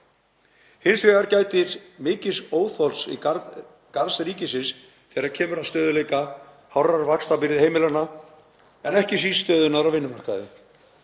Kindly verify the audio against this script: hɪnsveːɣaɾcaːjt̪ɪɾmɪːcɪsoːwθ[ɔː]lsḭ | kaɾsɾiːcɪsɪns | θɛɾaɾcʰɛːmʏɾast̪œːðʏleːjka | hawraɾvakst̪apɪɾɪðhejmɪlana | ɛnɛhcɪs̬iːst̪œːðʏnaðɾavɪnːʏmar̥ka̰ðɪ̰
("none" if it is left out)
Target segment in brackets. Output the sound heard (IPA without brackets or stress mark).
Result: ɔ